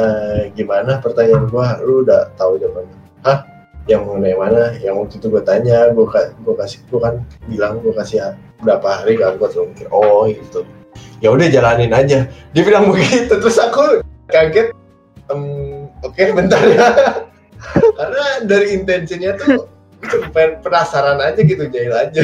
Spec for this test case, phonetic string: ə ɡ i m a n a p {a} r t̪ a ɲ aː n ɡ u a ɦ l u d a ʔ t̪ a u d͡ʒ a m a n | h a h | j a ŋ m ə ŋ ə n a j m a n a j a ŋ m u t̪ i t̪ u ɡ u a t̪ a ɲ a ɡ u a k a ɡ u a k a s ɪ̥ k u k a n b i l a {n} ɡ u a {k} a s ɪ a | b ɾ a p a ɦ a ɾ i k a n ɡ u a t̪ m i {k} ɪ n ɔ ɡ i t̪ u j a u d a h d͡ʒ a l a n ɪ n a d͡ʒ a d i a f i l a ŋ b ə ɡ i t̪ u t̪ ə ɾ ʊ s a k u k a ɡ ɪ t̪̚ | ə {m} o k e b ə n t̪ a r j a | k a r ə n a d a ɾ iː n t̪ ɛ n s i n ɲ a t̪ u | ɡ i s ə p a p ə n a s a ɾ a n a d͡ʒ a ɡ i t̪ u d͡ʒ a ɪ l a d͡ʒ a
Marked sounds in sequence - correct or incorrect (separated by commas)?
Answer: incorrect, incorrect, correct, correct, correct